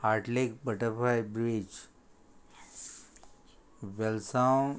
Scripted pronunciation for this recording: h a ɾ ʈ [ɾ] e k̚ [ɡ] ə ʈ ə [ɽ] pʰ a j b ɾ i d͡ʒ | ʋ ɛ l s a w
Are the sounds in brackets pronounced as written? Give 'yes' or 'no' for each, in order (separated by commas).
no, no, no